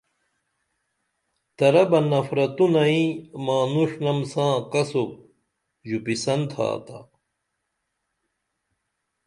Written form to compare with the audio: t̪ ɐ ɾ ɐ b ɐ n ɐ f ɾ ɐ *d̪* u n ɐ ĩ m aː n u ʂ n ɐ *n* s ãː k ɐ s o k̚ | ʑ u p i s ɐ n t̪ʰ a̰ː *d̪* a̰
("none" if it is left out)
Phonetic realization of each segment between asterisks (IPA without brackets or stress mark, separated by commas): t̪, m, t̪